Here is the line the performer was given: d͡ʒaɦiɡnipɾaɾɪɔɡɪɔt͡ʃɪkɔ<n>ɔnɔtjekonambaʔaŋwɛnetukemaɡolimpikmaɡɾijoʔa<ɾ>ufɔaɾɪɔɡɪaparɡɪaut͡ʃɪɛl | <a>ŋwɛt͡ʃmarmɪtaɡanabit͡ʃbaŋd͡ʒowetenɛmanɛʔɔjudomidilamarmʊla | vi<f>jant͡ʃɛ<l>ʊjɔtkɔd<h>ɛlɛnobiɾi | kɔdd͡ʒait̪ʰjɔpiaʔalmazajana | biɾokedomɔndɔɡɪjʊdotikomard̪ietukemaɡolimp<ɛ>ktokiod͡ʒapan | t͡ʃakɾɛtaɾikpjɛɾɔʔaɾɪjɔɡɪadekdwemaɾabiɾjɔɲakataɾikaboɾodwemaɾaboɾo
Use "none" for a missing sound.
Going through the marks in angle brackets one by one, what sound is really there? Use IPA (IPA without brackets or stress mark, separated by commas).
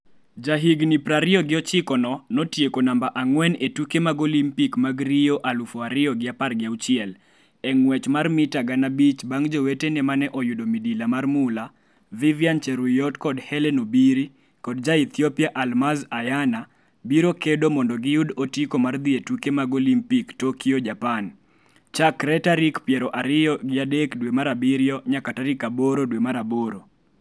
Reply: n, l, ɛ, v, ɾ, h, i